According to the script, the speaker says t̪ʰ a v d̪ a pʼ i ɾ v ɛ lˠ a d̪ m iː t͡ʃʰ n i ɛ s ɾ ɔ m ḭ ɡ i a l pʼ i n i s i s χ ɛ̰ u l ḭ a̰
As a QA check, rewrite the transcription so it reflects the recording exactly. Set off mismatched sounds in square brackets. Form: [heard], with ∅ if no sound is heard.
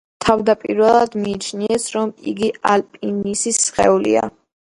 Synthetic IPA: t̪ʰ a v d̪ a pʼ i ɾ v ɛ lˠ a d̪ m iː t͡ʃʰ n i ɛ s ɾ ɔ m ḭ ɡ i a l pʼ i n i s i s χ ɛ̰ u l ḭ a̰